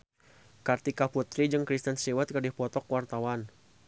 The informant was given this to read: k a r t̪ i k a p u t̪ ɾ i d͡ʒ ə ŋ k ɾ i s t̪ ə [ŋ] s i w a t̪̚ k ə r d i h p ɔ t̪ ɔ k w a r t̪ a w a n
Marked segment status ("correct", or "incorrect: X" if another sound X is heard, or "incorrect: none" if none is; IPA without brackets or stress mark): incorrect: n